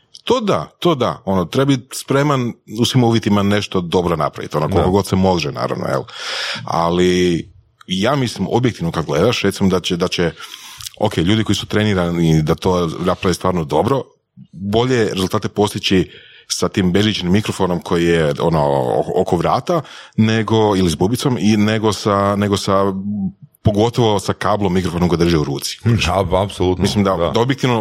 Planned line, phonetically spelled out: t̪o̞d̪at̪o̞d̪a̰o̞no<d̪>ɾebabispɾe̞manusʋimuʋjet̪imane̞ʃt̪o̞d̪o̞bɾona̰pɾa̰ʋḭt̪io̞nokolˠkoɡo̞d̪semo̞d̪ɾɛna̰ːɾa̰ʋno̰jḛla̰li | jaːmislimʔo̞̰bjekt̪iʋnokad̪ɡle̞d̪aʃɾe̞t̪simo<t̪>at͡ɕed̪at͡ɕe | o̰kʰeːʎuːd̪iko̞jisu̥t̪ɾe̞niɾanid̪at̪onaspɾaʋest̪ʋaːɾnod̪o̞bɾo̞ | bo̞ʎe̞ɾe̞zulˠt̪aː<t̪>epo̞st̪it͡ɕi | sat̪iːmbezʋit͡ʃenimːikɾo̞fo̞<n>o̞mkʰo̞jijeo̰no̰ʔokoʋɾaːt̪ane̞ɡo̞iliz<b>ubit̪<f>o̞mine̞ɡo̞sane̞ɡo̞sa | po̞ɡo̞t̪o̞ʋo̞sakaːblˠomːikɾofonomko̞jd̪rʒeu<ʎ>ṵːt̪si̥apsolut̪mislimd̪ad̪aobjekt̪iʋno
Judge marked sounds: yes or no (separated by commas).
no, no, yes, yes, yes, no, no